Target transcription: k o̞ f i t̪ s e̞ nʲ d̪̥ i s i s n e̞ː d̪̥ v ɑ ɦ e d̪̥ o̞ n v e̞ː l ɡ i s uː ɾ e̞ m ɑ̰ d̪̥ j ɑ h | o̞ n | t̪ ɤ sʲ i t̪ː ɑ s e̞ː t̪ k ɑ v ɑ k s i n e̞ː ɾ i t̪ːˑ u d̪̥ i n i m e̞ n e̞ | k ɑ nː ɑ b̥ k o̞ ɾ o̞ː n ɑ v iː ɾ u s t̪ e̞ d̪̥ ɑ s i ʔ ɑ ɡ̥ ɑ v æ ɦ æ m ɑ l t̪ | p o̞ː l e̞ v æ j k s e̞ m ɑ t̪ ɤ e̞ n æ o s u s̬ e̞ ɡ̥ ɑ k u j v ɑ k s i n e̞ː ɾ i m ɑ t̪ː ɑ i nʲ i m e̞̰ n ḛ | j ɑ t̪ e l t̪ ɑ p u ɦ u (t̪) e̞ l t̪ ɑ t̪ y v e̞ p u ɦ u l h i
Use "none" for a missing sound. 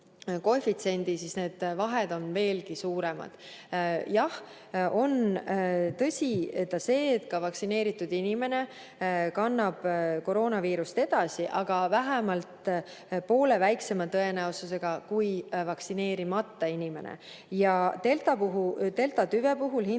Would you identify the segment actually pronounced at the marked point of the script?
t̪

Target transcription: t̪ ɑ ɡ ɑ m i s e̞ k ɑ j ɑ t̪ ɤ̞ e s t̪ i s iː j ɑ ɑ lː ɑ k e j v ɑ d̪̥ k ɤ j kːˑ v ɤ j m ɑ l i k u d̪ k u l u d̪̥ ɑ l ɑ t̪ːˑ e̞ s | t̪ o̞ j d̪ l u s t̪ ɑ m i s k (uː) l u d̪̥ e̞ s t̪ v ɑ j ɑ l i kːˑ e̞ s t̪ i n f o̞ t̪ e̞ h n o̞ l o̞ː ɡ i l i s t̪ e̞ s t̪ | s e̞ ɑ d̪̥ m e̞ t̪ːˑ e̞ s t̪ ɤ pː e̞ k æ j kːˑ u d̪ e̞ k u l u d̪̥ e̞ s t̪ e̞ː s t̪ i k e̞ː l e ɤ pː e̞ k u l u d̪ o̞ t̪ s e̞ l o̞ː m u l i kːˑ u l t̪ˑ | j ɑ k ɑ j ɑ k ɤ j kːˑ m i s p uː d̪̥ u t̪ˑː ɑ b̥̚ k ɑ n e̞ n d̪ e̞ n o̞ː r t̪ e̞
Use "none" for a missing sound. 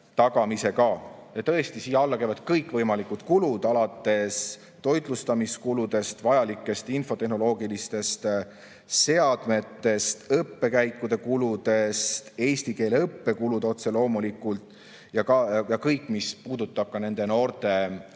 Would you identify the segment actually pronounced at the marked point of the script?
u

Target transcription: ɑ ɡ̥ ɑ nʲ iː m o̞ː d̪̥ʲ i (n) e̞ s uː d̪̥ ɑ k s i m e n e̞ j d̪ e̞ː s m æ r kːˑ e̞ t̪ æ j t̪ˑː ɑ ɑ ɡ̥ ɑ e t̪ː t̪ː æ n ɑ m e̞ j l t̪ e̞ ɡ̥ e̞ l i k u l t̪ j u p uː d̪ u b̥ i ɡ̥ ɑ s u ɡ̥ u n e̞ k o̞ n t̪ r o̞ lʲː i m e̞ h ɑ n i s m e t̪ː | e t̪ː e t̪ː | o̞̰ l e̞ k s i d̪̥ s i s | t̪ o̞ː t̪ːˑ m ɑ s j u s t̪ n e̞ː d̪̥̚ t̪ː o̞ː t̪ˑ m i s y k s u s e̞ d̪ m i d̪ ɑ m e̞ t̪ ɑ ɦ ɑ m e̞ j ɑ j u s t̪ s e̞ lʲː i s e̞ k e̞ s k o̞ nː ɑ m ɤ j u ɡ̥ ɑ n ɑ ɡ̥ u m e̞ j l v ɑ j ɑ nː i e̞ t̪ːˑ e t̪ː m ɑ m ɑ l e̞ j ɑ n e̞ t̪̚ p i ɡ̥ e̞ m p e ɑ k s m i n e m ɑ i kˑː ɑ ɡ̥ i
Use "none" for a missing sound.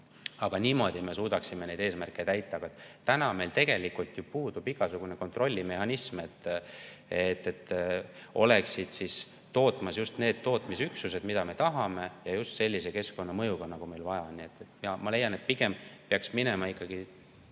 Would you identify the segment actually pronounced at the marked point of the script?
m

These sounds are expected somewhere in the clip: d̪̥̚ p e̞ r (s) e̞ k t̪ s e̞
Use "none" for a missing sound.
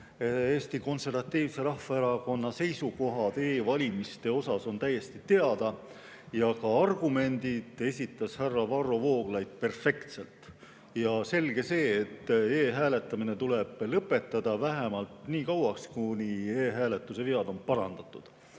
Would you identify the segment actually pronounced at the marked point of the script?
f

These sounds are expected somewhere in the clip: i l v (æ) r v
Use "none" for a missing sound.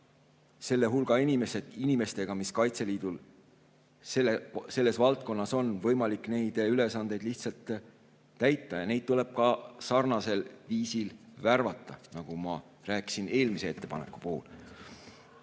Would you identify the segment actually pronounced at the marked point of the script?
æ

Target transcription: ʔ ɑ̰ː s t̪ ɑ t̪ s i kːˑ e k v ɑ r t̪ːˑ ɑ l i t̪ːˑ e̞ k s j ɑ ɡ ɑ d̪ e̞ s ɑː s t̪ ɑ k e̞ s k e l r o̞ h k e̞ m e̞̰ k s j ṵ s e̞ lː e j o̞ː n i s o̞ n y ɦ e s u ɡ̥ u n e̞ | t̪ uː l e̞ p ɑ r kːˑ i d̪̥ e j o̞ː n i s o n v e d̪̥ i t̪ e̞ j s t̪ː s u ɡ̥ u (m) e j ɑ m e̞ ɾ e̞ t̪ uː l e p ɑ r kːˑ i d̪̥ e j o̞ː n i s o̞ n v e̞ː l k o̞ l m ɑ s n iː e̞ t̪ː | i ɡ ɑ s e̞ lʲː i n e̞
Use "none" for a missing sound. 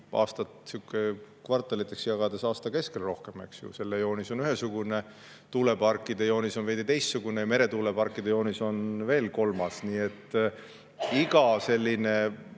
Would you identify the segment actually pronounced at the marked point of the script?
n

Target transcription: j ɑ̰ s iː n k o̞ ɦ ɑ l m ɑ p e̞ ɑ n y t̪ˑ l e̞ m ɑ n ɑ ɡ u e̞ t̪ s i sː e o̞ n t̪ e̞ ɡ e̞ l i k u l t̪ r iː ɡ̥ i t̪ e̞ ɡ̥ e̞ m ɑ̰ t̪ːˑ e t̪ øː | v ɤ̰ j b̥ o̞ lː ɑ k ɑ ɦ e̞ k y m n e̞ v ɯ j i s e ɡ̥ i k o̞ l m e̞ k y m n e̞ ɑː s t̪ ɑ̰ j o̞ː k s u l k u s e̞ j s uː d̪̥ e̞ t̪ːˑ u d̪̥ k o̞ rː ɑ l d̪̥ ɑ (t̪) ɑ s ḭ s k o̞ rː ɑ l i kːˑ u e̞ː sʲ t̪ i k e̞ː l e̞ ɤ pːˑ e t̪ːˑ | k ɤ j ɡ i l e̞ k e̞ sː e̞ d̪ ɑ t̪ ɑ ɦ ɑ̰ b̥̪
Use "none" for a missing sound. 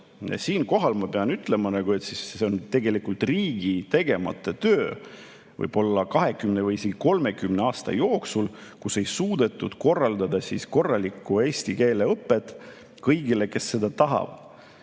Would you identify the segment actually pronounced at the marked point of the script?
d̪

